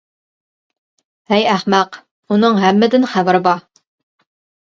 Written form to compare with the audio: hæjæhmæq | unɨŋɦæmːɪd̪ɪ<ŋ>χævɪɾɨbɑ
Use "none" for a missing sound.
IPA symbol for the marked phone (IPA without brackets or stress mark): n